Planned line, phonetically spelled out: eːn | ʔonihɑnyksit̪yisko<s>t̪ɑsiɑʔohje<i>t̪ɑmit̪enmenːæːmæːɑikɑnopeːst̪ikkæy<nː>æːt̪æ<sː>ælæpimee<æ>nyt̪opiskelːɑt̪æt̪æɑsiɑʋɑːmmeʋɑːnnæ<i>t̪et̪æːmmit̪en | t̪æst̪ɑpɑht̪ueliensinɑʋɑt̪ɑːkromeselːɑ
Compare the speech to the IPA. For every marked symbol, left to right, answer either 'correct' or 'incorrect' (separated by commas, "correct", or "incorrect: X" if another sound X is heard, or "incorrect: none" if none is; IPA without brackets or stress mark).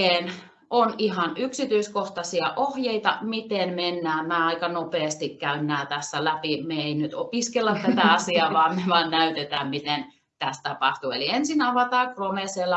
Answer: incorrect: h, correct, correct, correct, incorrect: i, incorrect: y